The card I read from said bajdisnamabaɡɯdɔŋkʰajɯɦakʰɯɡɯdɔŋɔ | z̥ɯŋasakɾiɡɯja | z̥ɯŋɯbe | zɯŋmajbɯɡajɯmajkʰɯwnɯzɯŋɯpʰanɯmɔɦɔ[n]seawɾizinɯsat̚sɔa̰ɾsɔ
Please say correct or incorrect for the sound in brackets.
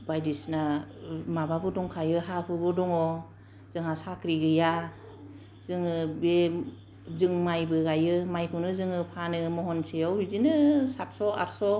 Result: correct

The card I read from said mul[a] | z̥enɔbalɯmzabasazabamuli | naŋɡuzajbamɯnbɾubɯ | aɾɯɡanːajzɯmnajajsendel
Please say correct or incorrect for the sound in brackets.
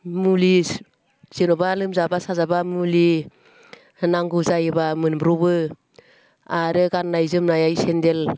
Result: incorrect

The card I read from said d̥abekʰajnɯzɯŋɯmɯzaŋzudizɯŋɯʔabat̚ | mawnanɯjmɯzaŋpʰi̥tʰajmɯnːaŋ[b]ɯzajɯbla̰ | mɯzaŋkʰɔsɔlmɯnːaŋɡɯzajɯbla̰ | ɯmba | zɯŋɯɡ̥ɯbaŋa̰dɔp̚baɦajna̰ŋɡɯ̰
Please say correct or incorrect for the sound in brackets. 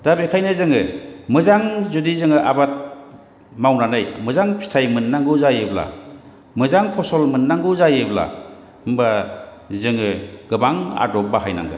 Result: incorrect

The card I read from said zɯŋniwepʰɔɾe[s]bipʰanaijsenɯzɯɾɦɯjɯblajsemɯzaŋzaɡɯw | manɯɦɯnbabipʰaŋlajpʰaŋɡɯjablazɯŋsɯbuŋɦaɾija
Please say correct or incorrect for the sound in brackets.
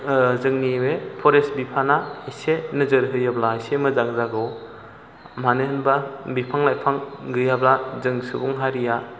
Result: correct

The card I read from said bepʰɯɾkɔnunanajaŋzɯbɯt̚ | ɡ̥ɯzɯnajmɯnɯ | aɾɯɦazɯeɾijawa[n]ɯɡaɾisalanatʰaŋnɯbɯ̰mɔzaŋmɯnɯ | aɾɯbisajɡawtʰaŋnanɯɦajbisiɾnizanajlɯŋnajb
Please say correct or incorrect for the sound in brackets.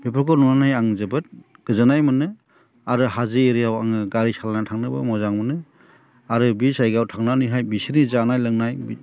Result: incorrect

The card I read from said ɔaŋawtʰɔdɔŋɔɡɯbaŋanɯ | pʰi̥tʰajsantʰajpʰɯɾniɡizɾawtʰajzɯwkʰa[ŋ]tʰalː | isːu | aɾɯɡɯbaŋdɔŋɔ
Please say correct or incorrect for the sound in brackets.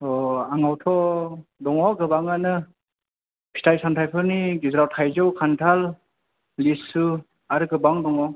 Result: incorrect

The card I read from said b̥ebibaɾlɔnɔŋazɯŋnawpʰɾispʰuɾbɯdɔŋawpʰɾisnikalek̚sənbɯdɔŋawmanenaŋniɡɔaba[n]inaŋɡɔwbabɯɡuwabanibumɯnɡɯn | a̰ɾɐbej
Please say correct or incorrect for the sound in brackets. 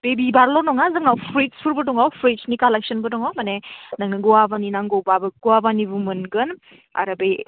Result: correct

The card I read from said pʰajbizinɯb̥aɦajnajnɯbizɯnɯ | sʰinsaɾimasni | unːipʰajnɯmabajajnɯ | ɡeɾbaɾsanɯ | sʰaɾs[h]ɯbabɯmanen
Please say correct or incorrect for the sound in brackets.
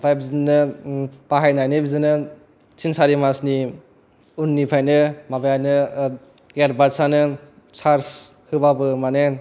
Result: correct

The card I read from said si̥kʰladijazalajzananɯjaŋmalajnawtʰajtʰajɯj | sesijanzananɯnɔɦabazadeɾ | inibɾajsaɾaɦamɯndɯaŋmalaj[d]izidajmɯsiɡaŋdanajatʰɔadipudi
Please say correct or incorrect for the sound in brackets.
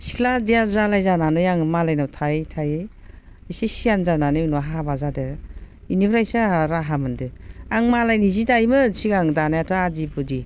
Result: incorrect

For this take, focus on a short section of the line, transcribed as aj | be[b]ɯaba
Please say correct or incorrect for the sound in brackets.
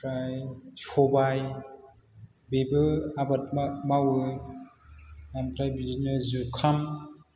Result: correct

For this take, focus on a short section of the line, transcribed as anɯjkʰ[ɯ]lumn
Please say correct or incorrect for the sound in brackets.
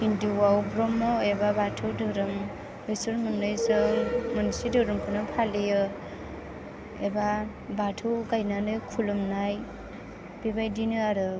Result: incorrect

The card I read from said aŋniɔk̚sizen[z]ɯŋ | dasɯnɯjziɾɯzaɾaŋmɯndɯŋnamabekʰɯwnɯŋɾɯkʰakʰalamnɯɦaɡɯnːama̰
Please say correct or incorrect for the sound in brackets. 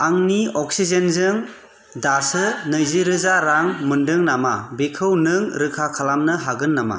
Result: correct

